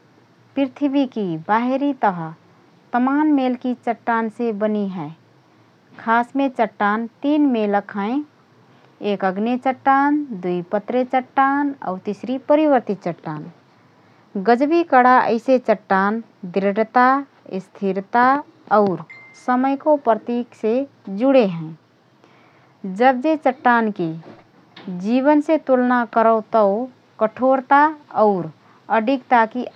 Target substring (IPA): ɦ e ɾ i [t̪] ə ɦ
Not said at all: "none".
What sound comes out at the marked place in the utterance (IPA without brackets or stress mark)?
t̪